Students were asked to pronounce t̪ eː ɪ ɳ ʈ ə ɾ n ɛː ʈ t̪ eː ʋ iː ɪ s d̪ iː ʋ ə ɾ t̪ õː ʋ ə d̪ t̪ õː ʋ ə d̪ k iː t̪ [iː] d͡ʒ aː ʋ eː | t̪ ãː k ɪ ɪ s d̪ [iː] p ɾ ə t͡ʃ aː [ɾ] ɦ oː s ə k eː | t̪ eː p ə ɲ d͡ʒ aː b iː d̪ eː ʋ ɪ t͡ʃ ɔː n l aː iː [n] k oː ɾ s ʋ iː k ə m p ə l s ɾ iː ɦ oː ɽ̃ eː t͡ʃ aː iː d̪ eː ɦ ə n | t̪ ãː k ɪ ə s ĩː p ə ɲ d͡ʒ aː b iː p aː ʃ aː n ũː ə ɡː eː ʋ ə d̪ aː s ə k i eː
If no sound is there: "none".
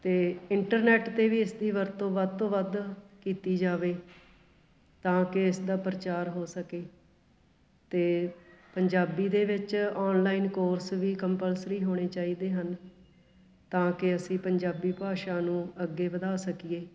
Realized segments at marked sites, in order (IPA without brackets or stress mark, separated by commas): iː, aː, ɾ, n